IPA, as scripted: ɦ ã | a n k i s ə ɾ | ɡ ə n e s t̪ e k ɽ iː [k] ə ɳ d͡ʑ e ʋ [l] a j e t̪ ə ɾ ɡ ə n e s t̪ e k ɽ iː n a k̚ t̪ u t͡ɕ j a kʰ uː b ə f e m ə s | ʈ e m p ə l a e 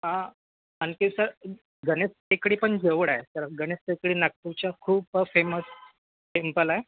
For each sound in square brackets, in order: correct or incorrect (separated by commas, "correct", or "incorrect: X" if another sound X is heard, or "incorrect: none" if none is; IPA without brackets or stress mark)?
incorrect: p, incorrect: ɽ